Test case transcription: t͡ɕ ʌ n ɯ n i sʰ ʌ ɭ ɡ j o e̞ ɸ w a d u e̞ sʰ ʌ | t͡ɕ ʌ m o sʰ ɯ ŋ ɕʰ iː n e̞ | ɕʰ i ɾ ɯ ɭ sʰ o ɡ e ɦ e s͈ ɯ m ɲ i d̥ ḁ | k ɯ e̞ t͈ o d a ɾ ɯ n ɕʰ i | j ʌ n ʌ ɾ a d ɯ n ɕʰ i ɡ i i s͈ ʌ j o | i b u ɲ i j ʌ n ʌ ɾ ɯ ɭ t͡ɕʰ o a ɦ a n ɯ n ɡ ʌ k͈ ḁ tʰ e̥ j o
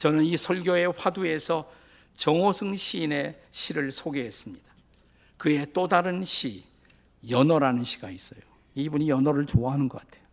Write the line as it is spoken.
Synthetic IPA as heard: t͡ɕ ʌ n ɯ n i sʰ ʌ ɭ ɡ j o e̞ ɸ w a d u e̞ sʰ ʌ | t͡ɕ ʌ ŋ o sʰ ɯ ŋ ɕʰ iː n e̞ | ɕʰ i ɾ ɯ ɭ sʰ o ɡ e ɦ e s͈ ɯ m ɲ i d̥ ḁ | k ɯ e̞ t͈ o d a ɾ ɯ n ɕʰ i | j ʌ n ʌ ɾ a n ɯ n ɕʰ i ɡ a i s͈ ʌ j o | i b u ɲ i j ʌ n ʌ ɾ ɯ ɭ t͡ɕ o a ɦ a n ɯ n ɡ ʌ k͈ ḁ tʰ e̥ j o